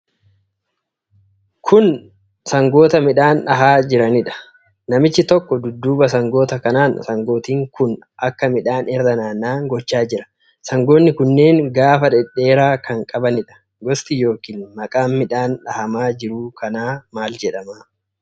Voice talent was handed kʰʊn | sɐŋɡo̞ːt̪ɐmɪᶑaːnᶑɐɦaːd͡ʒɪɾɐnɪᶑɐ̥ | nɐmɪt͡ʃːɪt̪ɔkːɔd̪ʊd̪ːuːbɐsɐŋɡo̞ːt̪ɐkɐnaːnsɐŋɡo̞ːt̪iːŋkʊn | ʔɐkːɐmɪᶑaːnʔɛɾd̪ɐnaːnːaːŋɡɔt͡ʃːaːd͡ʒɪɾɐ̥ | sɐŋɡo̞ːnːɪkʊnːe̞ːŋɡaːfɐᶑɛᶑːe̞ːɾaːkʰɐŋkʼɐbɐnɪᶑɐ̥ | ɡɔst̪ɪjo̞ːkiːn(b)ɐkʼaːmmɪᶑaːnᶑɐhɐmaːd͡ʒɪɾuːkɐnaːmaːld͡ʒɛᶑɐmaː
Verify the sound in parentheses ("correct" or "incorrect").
incorrect